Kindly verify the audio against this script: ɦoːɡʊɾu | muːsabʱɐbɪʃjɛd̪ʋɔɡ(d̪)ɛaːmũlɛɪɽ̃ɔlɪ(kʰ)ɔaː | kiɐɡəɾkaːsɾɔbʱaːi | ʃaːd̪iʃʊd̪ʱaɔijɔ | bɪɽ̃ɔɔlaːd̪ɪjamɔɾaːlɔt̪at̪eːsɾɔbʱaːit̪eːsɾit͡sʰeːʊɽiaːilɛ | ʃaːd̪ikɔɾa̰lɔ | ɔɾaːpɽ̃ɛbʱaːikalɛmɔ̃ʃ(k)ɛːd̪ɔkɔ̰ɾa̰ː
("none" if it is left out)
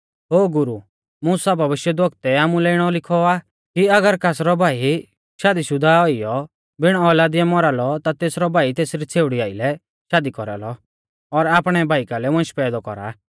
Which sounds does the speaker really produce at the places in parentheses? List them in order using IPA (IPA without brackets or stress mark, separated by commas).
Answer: t̪, kʰ, p